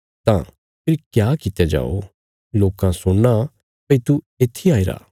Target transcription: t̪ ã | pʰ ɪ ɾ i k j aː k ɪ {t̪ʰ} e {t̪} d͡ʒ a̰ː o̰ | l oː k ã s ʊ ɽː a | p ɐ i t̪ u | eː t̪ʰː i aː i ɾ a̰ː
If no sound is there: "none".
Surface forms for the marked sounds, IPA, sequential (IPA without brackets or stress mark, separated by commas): t̪, none